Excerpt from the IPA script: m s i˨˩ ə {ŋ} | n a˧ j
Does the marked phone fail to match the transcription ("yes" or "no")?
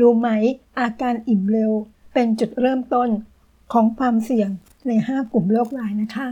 no